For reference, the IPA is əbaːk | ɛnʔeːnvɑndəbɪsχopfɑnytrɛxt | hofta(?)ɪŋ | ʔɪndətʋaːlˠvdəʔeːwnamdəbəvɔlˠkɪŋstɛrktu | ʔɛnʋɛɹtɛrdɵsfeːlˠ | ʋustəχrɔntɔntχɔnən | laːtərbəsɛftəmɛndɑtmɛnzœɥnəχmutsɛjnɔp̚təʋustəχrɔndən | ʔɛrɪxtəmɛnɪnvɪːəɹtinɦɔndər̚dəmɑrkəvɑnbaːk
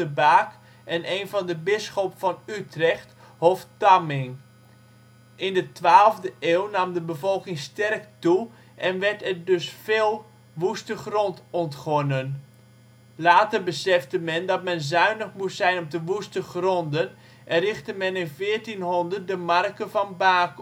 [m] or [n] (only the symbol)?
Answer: m